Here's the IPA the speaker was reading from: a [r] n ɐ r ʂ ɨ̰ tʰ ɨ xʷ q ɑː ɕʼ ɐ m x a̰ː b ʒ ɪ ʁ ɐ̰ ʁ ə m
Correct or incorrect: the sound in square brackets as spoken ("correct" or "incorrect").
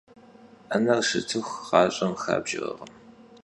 incorrect